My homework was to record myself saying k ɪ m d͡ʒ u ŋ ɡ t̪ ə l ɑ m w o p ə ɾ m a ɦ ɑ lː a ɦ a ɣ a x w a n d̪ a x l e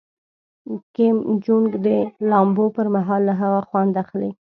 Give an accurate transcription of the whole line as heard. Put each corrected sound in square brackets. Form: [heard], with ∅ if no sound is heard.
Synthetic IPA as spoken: k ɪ m d͡ʒ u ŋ ɡ [d̪] ə l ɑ m [b] o p ə ɾ m a ɦ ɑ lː a ɦ a ɣ a x w a n d̪ a x l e